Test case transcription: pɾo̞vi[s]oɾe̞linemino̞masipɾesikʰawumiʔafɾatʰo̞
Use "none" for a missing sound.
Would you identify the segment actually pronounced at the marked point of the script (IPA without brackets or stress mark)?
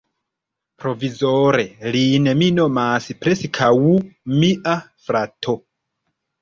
z